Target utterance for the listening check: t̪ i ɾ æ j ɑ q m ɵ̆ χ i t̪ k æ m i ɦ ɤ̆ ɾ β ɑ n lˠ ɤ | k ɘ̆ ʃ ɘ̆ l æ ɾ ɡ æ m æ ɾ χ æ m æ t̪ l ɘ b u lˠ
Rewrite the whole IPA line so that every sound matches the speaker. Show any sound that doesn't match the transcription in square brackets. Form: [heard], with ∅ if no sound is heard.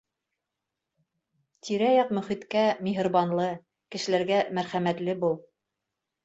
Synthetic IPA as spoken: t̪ i ɾ æ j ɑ q m ɵ̆ χ i t̪ k æ m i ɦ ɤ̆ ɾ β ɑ n lˠ ɤ | k ɘ̆ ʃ ɘ̆ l æ ɾ ɡ æ m æ ɾ χ æ m æ t̪ l ɘ b u lˠ

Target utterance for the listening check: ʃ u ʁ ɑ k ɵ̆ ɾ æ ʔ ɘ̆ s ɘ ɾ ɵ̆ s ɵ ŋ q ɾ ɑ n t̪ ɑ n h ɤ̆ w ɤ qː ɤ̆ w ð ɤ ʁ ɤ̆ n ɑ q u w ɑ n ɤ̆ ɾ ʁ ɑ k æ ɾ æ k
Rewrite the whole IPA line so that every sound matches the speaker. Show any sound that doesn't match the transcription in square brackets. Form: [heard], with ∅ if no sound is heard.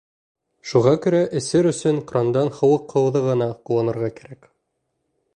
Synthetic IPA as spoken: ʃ u ʁ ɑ k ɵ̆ ɾ æ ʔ ɘ̆ s ɘ ɾ ɵ̆ s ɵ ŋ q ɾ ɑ n [d̪] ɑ n h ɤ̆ w ɤ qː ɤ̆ w ð ɤ ʁ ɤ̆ n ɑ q u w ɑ n ɤ̆ ɾ ʁ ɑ k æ ɾ æ k

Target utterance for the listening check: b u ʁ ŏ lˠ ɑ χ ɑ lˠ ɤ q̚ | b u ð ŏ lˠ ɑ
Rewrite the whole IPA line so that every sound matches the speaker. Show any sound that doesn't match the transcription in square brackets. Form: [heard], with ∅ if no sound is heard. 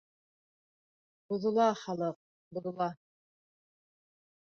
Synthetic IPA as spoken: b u [ð] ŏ lˠ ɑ χ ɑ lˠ ɤ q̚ | b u ð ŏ lˠ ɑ

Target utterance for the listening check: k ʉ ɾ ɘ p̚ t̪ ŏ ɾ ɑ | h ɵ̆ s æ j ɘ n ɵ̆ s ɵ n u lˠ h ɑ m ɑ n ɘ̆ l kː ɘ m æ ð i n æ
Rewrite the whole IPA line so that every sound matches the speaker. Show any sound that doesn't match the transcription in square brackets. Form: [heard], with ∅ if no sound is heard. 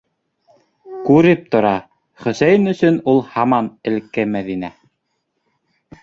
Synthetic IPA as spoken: k ʉ ɾ ɘ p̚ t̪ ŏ ɾ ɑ | [χ] ɵ̆ s æ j ɘ n ɵ̆ s ɵ n u lˠ h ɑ m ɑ n ɘ̆ l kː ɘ m æ ð i n æ

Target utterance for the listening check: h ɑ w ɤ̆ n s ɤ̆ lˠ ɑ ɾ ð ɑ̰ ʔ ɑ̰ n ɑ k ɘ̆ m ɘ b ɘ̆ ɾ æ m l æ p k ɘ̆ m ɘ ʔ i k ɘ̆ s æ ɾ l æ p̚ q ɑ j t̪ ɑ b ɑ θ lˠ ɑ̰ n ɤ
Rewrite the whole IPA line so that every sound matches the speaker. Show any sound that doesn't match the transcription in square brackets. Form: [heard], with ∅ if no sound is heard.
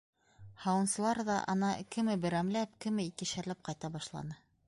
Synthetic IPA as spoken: h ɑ w ɤ̆ n s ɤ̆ lˠ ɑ ɾ ð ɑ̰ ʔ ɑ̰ n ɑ k ɘ̆ m ɘ b ɘ̆ ɾ æ m l æ p k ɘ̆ m ɘ [∅] i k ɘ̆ [ʃ] æ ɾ l æ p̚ q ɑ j t̪ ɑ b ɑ [ʃ] lˠ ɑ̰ n ɤ

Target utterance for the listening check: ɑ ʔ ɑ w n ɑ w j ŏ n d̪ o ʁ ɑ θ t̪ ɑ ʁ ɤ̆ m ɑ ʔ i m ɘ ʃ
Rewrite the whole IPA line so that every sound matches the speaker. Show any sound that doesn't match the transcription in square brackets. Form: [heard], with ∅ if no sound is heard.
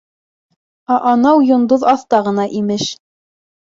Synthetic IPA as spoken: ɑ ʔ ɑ [∅] n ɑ w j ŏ n d̪ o [ð] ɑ θ t̪ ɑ ʁ ɤ̆ [n] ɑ ʔ i m ɘ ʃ

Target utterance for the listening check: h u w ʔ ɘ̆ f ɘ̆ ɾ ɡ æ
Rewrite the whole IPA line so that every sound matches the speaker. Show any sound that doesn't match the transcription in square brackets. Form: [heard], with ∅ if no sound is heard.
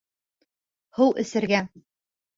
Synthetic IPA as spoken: h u w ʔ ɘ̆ [s] ɘ̆ ɾ ɡ æ

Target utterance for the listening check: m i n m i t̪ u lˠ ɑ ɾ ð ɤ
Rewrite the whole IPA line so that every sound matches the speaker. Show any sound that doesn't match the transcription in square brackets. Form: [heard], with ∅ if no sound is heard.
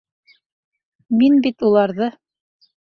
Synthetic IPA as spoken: m i n [b] i t̪ u lˠ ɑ ɾ ð ɤ

